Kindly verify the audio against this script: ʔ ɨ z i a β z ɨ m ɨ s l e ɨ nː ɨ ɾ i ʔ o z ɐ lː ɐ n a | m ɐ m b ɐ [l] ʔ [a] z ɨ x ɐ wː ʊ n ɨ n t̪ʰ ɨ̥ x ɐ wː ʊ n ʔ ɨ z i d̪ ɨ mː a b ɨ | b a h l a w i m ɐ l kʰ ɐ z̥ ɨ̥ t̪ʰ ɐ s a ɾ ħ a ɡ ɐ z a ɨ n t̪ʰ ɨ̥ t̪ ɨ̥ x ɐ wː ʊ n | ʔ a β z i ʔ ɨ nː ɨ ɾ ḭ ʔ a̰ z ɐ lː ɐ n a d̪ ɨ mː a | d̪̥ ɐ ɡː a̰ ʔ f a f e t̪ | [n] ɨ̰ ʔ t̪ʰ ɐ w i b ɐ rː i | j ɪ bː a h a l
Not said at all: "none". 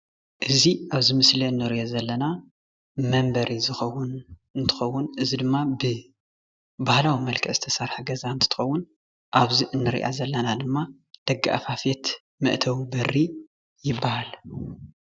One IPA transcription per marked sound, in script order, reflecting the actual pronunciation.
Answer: ɾ, i, m

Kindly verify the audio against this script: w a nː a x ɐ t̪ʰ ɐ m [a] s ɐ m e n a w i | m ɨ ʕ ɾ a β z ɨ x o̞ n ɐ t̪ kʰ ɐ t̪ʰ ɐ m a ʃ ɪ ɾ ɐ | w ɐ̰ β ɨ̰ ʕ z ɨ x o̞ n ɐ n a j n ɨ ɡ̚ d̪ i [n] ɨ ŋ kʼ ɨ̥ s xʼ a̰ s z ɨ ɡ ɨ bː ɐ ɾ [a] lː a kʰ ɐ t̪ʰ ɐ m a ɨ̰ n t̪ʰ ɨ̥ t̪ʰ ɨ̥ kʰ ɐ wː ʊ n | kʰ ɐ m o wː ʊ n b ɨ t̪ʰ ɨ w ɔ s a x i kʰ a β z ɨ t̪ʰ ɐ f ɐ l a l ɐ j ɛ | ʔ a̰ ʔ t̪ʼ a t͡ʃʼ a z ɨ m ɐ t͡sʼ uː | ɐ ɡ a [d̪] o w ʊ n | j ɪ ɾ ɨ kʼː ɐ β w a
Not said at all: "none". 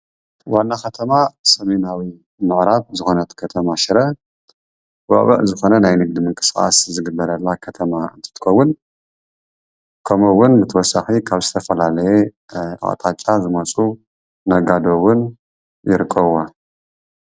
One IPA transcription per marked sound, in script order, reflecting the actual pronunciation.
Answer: a, m, ɐ, d̪

